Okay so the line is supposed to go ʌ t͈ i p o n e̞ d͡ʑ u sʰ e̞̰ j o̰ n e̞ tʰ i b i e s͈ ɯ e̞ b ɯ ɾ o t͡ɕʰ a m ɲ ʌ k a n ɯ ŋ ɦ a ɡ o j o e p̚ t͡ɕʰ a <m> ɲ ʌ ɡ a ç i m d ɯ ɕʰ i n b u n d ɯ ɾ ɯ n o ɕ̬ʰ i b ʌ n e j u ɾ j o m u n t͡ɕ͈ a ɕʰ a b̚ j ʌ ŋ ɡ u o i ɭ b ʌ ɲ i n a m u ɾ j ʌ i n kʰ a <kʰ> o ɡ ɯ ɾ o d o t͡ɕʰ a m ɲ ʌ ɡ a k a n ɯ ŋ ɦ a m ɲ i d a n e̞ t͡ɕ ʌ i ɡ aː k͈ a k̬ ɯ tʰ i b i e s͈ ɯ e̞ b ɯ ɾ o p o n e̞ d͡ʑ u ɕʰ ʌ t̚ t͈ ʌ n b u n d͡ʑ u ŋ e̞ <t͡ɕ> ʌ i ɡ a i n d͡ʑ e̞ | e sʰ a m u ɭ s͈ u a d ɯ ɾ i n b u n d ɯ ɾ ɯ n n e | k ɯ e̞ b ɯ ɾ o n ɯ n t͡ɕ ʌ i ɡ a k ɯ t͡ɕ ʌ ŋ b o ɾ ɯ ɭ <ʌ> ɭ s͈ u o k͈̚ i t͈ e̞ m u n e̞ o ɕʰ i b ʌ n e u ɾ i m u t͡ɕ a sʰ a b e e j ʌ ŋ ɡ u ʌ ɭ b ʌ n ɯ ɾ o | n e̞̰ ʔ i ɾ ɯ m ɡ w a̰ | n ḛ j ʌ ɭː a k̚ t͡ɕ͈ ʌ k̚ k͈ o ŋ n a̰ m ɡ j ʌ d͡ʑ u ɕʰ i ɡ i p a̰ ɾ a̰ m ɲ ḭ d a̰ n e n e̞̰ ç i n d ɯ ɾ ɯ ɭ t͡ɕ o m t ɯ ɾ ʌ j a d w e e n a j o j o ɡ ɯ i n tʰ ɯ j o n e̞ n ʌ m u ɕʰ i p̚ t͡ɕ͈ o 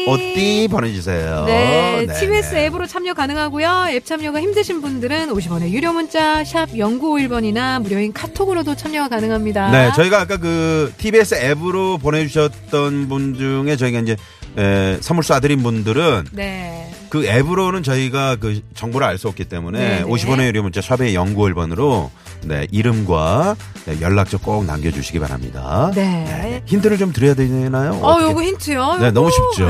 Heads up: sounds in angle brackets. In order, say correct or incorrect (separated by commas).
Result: correct, incorrect, correct, incorrect